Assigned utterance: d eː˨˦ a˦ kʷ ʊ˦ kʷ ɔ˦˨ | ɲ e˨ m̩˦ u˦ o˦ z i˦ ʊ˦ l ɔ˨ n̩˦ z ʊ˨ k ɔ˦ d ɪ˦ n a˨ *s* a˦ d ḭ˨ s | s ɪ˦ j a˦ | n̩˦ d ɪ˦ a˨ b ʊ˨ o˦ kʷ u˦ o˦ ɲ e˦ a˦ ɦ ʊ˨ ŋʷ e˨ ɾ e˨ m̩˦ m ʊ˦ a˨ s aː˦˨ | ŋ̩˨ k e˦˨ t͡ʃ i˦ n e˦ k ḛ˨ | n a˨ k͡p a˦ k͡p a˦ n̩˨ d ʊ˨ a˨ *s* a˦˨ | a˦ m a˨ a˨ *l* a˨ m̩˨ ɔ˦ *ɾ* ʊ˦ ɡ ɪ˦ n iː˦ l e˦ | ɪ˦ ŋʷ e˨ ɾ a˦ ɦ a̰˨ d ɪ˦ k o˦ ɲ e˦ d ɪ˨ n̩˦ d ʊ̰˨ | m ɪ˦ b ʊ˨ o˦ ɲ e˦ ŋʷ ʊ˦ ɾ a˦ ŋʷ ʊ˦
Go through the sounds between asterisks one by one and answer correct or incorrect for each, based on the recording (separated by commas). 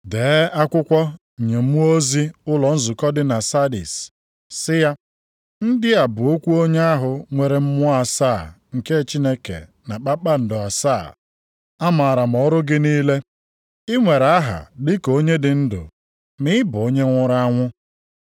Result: correct, correct, incorrect, correct